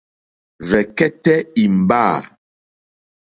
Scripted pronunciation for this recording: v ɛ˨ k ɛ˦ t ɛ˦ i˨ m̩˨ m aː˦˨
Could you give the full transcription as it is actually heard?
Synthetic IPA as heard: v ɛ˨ k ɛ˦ t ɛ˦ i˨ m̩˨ b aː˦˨